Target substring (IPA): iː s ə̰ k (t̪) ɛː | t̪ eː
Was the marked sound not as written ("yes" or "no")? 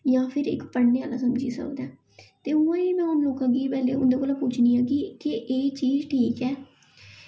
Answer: yes